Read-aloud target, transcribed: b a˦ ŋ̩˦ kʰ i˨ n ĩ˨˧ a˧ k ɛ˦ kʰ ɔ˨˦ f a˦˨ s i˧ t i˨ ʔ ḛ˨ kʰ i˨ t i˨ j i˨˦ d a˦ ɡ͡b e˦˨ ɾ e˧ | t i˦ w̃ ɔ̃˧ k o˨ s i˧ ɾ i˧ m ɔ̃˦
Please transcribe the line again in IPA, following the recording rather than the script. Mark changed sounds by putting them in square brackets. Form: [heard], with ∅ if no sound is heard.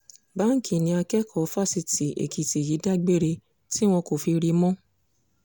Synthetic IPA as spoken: b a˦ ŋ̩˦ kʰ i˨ n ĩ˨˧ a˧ k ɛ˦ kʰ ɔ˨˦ f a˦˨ s i˧ t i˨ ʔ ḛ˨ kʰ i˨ t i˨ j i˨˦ d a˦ ɡ͡b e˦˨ ɾ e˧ | t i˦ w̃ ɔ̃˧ k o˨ [f] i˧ ɾ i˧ m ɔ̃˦